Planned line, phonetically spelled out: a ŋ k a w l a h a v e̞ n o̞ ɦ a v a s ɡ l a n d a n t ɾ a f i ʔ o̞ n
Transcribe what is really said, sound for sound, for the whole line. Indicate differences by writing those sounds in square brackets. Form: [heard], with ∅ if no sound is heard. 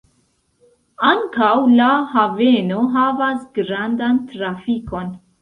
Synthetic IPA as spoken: a ŋ k a w l a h a v e̞ n o̞ ɦ a v a s ɡ [ɾ] a n d a n t ɾ a f i [k] o̞ n